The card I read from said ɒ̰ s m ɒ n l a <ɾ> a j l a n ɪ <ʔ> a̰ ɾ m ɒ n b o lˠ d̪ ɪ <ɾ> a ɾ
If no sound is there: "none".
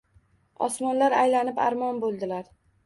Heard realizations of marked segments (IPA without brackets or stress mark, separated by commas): ɾ, p, l